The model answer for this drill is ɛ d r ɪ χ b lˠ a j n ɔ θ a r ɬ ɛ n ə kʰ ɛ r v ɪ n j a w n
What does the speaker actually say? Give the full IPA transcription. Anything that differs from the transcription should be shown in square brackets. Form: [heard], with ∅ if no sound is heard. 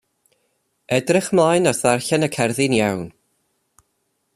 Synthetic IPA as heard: ɛ d r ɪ χ [m] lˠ a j n ɔ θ a r ɬ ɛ n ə kʰ ɛ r [ð] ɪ n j a w n